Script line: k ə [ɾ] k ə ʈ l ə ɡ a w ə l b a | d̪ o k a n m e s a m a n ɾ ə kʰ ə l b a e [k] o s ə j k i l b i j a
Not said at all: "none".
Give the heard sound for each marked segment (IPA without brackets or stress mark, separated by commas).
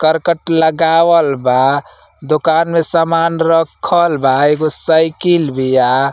ɾ, ɡ